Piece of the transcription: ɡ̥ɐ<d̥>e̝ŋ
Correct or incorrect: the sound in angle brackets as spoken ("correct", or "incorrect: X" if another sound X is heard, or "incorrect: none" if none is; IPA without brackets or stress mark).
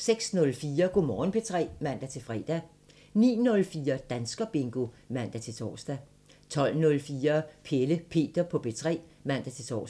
incorrect: b̥